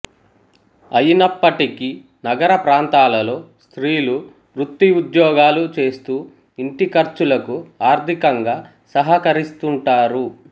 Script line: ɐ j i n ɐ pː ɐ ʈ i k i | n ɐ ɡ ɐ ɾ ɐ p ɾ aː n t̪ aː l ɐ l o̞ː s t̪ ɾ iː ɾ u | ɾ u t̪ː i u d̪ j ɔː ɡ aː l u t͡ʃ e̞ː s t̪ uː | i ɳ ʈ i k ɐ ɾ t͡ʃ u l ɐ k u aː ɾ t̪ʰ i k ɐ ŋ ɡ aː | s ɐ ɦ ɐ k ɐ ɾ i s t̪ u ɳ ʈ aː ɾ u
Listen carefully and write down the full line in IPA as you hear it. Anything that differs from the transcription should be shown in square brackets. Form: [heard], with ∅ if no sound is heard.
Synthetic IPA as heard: ɐ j i n ɐ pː ɐ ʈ i k i | n ɐ ɡ ɐ ɾ ɐ p ɾ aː n t̪ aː l ɐ l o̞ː s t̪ ɾ iː [l] u | ɾ u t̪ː i u d̪ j ɔː ɡ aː l u t͡ʃ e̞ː s t̪ uː | i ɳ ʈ i k ɐ ɾ t͡ʃ u l ɐ k u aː ɾ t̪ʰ i k ɐ ŋ ɡ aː | s ɐ ɦ ɐ k ɐ ɾ i s t̪ u ɳ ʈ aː ɾ u